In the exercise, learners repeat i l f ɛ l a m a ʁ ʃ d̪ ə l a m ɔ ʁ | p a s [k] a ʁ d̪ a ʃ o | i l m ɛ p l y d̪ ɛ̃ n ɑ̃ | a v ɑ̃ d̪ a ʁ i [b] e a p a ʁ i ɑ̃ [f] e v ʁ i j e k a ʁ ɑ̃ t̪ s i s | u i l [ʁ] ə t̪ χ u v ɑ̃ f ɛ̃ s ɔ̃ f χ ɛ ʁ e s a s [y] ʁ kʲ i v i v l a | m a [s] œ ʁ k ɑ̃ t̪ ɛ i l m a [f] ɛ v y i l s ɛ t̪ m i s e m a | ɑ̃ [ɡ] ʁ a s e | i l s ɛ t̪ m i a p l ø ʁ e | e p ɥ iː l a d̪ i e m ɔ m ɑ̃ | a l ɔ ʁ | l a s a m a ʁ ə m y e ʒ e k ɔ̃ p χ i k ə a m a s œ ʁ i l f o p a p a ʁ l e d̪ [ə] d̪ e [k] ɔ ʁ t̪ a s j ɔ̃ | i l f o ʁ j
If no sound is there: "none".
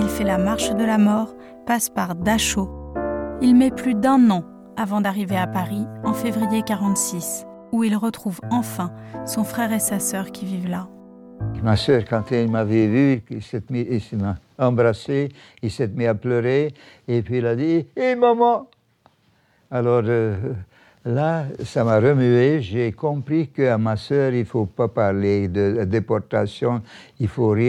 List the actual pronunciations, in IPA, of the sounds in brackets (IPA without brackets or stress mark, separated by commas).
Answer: p, v, f, ʁ, œ, s, v, b, ə, p